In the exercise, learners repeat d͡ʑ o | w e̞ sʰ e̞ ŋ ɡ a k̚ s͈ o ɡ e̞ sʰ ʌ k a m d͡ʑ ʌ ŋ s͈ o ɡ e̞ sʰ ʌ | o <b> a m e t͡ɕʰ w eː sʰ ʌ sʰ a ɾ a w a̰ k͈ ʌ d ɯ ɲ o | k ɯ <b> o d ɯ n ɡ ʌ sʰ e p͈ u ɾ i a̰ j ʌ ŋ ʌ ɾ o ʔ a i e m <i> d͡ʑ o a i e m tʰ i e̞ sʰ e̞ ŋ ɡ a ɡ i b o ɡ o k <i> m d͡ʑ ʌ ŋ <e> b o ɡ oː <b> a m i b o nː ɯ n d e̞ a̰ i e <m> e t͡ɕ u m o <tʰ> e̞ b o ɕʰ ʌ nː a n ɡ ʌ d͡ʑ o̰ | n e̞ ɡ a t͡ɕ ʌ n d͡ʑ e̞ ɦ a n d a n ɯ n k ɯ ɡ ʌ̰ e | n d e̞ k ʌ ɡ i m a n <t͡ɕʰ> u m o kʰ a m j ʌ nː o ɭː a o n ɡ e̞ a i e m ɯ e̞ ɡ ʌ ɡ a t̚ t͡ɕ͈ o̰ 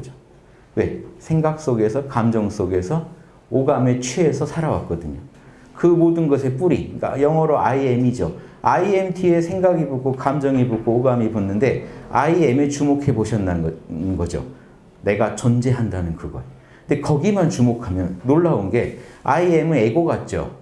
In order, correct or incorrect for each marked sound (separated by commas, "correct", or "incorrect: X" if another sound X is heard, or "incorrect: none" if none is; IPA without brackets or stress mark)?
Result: incorrect: ɡ, incorrect: m, correct, incorrect: a, incorrect: i, incorrect: ɡ, correct, incorrect: kʰ, incorrect: t͡ɕ